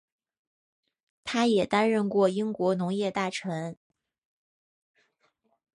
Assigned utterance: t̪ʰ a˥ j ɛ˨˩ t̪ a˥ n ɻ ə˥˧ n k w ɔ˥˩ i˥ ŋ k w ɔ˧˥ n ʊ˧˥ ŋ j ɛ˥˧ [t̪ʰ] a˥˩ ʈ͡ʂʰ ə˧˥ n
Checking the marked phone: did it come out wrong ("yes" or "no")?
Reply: yes